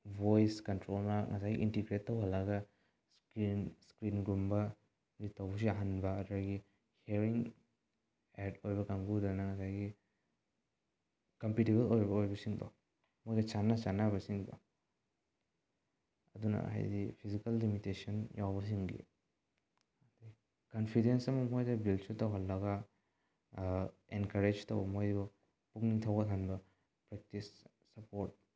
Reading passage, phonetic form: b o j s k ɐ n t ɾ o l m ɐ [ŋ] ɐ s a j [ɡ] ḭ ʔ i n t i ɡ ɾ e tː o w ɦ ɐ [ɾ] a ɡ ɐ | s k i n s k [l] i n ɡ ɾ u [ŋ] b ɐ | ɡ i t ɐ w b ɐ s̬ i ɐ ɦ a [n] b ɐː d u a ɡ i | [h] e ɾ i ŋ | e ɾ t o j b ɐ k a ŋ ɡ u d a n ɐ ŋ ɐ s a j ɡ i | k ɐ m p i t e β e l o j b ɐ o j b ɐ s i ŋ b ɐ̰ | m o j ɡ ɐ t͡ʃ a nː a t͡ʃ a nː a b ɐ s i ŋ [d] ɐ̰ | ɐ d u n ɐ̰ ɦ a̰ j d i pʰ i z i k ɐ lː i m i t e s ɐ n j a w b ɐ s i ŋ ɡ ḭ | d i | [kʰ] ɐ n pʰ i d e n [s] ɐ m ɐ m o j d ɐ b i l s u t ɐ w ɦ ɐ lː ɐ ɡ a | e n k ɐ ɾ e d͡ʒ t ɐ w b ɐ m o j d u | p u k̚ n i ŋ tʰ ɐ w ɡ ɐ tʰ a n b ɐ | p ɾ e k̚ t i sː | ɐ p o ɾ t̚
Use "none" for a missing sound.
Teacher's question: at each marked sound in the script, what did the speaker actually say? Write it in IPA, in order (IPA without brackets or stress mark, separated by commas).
ŋ, ɡ, l, ɾ, m, n, h, b, k, s